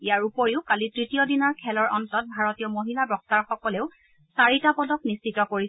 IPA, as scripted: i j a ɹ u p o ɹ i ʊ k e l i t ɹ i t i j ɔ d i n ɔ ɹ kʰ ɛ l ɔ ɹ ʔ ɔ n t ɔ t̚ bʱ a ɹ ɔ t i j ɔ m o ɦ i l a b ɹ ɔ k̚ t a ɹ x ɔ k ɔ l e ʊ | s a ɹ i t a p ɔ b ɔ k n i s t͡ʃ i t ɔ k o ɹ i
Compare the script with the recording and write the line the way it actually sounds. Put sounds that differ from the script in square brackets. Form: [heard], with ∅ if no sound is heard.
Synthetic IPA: i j a ɹ u p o ɹ i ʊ k [a] l i t ɹ i t i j ɔ d i n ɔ ɹ kʰ ɛ l ɔ ɹ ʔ ɔ n t ɔ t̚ bʱ a ɹ ɔ t i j ɔ m o ɦ i l a b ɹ ɔ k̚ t a ɹ x ɔ k ɔ l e ʊ | s a ɹ i t a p ɔ [d] ɔ k n i s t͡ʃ i t ɔ k o ɹ i

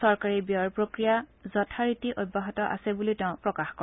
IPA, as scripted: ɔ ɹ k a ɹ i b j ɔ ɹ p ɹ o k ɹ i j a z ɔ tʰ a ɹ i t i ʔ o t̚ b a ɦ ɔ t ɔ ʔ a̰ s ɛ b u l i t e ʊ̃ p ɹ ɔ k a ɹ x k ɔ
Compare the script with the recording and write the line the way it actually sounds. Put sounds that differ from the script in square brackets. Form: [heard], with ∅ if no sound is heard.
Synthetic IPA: ɔ ɹ k a ɹ i b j ɔ ɹ p ɹ o k ɹ i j a z ɔ tʰ a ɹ i t i ʔ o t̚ b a ɦ ɔ t ɔ ʔ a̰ s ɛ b u l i t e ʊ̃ p ɹ ɔ k a [∅] x k ɔ

